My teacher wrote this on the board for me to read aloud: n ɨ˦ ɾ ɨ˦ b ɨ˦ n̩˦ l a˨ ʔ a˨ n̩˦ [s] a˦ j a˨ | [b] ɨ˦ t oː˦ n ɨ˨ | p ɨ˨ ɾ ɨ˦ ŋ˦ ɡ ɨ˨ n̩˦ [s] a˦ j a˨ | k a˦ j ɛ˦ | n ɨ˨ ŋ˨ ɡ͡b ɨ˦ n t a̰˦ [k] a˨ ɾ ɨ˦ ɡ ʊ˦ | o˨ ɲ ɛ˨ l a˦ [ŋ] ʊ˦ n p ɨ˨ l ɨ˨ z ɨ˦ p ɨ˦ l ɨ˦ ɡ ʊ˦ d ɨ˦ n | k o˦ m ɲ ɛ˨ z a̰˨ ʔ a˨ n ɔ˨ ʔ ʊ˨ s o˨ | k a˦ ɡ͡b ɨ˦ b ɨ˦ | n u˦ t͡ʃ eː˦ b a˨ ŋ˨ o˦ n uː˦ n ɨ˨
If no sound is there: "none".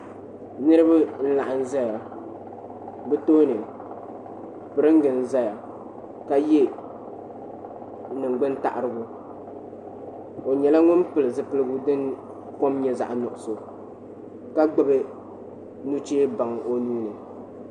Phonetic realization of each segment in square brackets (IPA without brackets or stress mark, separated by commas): z, b, z, ʔ, ŋ